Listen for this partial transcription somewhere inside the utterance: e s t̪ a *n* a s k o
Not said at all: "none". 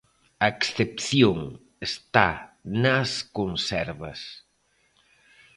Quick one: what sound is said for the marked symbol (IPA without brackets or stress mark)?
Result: n